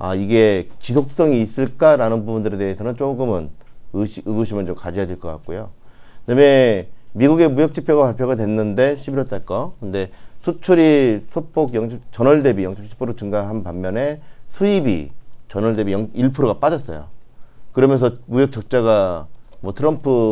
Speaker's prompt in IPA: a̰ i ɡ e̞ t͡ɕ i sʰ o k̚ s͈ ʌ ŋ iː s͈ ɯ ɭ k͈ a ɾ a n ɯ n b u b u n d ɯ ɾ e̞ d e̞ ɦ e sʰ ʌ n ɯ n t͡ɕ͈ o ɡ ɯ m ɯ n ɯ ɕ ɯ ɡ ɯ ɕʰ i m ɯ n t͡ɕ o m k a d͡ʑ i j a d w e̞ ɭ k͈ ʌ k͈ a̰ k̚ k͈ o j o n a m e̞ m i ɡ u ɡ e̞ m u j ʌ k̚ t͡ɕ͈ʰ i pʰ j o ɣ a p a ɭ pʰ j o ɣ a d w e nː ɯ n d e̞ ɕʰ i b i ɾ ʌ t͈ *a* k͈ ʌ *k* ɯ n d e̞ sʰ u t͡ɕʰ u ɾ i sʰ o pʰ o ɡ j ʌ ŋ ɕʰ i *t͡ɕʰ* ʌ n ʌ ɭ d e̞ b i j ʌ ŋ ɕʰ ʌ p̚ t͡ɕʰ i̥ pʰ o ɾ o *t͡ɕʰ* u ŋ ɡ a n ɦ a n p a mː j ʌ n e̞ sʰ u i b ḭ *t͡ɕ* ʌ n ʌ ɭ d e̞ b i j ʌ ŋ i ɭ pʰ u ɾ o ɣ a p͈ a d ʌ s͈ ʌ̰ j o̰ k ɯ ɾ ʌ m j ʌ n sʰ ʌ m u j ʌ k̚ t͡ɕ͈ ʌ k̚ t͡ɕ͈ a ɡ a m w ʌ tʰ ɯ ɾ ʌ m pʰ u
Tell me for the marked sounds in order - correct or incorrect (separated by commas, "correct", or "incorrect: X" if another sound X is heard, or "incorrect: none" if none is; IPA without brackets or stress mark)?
correct, correct, incorrect: t͡ɕ, incorrect: t͡ɕ, correct